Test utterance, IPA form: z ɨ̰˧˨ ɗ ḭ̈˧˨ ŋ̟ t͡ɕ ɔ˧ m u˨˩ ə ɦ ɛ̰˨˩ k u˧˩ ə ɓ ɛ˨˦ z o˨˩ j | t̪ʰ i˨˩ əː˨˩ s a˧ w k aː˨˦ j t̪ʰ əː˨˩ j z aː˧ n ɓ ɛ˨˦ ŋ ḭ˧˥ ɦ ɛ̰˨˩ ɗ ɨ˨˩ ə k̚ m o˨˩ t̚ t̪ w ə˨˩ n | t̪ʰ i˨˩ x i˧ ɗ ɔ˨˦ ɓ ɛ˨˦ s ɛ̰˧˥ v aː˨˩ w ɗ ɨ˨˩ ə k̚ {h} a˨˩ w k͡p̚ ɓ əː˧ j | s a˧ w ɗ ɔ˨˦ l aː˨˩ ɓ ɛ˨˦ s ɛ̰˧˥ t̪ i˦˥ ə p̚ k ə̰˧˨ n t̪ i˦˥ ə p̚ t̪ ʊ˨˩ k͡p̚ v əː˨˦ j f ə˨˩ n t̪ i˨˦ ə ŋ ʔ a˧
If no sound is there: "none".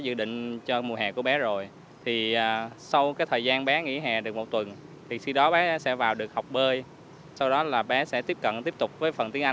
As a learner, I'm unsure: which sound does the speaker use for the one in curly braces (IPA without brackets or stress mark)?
h